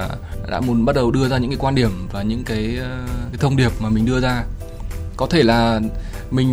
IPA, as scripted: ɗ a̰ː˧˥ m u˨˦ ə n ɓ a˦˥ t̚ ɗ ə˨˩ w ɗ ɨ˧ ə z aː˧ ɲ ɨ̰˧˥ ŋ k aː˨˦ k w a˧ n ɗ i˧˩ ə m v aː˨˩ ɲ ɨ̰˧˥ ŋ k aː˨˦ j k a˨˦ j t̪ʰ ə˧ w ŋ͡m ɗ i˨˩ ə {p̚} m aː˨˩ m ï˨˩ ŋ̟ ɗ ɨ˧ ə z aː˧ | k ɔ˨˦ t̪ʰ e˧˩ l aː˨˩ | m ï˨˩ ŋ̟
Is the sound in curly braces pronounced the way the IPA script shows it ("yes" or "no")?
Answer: yes